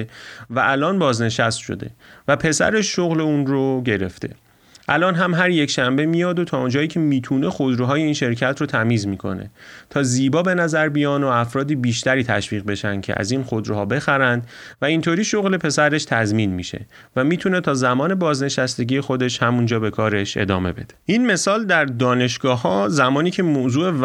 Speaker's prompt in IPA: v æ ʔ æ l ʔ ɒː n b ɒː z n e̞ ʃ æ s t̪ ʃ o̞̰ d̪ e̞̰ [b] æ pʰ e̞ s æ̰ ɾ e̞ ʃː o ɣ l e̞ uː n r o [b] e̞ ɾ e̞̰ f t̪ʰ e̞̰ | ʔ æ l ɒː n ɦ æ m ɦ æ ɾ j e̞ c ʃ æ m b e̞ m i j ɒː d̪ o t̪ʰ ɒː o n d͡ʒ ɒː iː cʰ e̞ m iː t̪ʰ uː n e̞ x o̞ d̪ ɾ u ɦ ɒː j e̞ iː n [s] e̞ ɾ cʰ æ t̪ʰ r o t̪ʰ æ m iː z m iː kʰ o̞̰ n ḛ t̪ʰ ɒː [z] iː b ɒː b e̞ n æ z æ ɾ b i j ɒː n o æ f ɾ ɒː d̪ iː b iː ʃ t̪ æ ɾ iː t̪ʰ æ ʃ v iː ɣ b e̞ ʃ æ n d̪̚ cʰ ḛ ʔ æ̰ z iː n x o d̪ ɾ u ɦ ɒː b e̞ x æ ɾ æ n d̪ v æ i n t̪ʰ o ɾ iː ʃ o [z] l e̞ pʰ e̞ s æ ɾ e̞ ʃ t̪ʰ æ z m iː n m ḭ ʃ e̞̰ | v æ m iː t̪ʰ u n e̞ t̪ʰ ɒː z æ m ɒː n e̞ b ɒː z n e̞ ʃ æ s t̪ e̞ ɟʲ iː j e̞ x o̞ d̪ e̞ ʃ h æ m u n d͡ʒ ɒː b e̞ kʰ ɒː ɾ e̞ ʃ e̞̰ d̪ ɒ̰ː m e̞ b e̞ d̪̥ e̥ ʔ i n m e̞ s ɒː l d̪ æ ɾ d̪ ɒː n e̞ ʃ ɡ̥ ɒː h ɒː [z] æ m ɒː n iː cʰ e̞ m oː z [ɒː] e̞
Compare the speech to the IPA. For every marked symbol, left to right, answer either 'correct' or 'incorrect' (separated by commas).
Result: incorrect, incorrect, incorrect, correct, incorrect, correct, incorrect